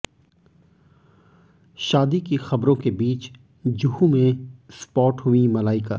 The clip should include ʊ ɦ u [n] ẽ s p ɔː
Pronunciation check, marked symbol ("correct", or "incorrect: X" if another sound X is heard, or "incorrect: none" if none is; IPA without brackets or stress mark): incorrect: m